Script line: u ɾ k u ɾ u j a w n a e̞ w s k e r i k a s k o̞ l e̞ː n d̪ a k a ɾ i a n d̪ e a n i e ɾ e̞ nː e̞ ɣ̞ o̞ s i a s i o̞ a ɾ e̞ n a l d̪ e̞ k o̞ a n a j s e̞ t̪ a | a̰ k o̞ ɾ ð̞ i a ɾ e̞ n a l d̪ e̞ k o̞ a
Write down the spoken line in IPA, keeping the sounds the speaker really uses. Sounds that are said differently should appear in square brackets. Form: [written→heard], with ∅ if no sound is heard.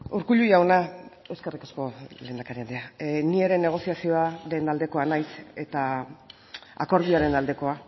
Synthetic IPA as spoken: u ɾ k u [ɾ→ʎ] u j a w n a e̞ w s k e r i k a s k o̞ l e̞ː n d̪ a k a ɾ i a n d̪ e a n i e ɾ e̞ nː e̞ ɣ̞ o̞ s i a s i o̞ a ɾ e̞ n a l d̪ e̞ k o̞ a n a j s e̞ t̪ a | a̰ k o̞ ɾ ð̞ i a ɾ e̞ n a l d̪ e̞ k o̞ a